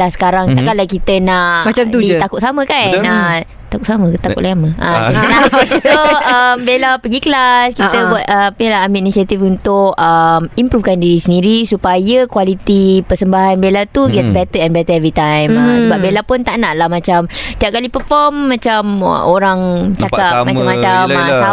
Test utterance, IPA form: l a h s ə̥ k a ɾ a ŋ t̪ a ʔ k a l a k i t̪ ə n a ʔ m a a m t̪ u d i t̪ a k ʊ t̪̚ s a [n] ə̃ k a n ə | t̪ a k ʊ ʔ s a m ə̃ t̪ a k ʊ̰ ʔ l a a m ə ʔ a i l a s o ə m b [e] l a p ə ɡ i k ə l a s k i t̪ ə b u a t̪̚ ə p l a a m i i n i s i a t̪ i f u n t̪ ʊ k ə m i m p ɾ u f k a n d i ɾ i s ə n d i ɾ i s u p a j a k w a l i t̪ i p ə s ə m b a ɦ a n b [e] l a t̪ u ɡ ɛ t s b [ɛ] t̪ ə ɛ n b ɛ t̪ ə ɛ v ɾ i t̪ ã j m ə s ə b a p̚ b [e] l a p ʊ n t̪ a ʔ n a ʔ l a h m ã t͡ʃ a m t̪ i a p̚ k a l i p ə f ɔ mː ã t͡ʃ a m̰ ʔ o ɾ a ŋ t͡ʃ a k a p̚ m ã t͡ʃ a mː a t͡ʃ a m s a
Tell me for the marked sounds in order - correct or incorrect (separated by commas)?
incorrect, correct, correct, correct, correct